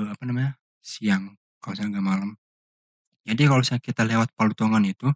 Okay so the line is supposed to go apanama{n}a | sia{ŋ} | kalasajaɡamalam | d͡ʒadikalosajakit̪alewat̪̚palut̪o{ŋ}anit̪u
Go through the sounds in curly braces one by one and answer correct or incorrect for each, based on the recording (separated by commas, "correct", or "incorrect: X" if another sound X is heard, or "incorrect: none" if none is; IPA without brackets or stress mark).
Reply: incorrect: ɲ, correct, correct